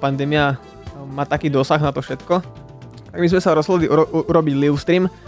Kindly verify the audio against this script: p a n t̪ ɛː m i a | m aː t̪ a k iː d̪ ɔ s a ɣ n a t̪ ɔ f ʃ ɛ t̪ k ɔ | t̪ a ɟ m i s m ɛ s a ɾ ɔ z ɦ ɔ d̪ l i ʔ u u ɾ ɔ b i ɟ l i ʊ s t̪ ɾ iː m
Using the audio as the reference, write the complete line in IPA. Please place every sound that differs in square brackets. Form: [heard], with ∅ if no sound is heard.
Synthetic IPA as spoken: p a n [d̪] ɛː m i a | m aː t̪ a k iː d̪ ɔ s a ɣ n a t̪ ɔ f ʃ ɛ t̪ k ɔ | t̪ a [ɡ] m i [z] m ɛ s a ɾ ɔ z ɦ ɔ d̪ l i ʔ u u ɾ ɔ b i ɟ l i ʊ s t̪ ɾ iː m